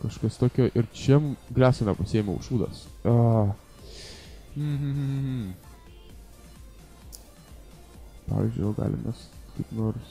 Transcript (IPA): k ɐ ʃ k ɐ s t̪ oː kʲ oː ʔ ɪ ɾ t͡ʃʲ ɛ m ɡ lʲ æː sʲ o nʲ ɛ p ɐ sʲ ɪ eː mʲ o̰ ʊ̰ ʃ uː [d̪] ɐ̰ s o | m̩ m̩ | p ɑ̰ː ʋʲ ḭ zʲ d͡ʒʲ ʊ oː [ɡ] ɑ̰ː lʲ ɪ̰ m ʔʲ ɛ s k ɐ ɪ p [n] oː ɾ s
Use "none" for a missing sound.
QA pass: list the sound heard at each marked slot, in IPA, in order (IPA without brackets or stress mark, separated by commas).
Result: d̪, ɡ, n